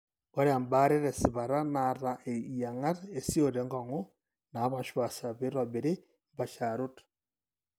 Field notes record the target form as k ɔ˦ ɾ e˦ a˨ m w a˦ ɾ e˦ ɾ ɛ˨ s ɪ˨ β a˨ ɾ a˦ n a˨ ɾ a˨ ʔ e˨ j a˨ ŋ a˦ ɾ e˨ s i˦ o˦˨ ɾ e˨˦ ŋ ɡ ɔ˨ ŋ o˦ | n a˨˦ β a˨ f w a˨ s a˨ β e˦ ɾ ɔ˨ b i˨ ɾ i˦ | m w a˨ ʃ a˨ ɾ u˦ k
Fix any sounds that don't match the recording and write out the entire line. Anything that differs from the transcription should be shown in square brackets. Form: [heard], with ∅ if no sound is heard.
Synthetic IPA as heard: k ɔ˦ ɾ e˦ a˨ m [b] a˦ ɾ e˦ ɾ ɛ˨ s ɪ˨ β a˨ ɾ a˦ n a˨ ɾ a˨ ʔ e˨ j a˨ ŋ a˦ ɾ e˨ s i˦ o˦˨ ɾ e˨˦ ŋ ɡ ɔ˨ ŋ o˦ | n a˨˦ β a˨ [ʃ] w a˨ s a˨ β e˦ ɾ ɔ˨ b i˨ ɾ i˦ | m [b] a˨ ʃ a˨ ɾ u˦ [t]